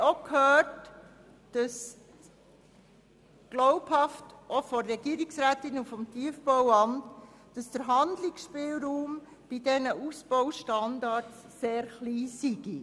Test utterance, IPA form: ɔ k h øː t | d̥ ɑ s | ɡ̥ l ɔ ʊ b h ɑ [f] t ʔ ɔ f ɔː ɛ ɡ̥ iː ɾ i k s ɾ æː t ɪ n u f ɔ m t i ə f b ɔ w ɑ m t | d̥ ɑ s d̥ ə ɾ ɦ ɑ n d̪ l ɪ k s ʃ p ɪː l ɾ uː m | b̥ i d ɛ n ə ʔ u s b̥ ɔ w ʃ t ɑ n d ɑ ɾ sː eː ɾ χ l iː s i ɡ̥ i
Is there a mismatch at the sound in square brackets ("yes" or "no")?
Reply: no